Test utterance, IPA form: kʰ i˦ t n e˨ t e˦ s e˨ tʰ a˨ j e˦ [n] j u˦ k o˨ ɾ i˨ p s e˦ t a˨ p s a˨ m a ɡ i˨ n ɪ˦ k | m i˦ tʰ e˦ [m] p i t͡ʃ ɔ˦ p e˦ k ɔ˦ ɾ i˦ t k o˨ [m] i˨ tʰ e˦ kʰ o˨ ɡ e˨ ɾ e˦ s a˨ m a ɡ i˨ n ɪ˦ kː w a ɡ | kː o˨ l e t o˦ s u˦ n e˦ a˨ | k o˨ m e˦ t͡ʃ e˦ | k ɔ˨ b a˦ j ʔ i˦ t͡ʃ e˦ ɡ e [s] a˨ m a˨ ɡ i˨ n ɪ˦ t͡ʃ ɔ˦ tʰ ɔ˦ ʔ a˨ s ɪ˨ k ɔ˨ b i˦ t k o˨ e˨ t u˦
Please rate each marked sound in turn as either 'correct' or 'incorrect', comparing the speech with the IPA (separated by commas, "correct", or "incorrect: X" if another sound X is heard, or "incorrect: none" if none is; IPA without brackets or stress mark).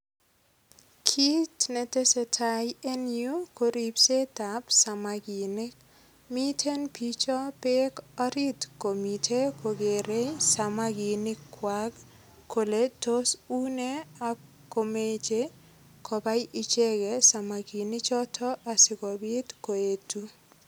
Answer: correct, incorrect: n, correct, correct